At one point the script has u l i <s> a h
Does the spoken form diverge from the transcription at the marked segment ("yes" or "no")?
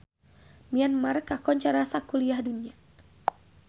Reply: yes